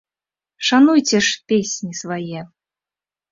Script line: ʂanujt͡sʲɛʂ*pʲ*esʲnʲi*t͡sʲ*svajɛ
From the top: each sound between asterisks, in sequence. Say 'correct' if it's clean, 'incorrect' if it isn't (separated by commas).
correct, incorrect